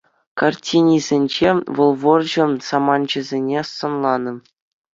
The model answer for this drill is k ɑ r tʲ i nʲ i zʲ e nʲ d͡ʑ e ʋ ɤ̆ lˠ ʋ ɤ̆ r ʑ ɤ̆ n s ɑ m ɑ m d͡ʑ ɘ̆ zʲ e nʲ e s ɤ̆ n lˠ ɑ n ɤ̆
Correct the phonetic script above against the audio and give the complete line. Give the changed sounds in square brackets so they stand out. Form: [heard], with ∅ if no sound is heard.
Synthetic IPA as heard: k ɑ r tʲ i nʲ i zʲ e nʲ d͡ʑ e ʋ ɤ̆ lˠ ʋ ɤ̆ r ʑ ɤ̆ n s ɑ m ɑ [n] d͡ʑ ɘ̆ zʲ e nʲ e s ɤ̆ n lˠ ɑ n ɤ̆